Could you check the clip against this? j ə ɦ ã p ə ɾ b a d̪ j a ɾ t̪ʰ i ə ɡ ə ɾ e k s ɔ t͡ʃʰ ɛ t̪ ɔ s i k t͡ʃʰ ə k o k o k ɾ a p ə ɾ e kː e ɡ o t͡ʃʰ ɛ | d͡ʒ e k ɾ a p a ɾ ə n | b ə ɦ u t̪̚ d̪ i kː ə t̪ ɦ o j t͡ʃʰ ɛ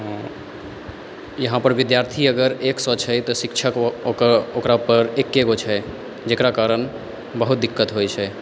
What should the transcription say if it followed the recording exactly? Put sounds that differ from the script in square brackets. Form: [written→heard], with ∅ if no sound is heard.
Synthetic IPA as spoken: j ə ɦ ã p ə ɾ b [a→i] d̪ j a ɾ t̪ʰ i ə ɡ ə ɾ e k s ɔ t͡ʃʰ ɛ t̪ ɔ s i k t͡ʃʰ ə k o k o k ɾ a p ə ɾ e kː e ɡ o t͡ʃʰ ɛ | d͡ʒ e k ɾ a [p→k] a ɾ ə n | b ə ɦ u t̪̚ d̪ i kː ə t̪ ɦ o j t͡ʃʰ ɛ